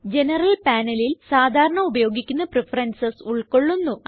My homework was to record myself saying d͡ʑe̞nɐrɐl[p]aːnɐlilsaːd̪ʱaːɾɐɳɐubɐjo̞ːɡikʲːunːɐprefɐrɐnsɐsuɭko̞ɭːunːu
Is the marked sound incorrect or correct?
correct